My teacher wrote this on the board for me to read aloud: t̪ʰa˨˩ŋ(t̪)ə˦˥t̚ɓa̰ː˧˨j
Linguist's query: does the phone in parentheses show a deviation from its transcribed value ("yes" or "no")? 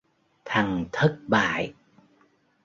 yes